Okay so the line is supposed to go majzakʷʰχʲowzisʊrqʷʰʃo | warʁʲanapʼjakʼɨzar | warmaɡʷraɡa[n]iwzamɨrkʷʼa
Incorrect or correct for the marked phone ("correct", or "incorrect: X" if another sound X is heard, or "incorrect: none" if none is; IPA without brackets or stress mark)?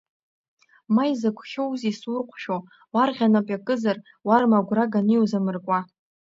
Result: correct